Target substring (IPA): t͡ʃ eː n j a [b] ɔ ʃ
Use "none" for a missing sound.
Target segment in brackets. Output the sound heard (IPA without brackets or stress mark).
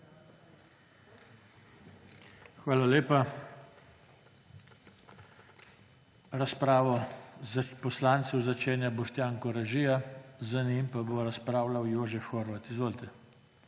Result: b